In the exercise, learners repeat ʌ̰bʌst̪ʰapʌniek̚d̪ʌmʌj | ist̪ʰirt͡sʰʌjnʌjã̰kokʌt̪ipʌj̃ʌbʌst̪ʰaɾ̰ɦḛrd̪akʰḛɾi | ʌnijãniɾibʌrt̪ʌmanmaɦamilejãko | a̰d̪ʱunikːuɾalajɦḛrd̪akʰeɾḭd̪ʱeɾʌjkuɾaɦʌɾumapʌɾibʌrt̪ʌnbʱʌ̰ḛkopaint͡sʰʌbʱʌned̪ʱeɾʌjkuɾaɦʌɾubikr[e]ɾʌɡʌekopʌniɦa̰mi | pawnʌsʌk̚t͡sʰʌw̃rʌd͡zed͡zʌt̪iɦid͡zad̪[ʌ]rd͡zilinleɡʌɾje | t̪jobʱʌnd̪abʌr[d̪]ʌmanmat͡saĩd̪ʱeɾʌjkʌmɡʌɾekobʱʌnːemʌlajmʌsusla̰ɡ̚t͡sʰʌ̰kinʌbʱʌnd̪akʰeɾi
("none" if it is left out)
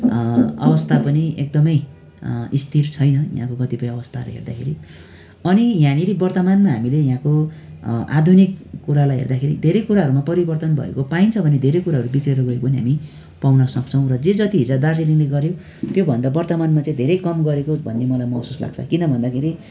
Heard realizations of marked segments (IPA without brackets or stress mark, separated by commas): e, a, t̪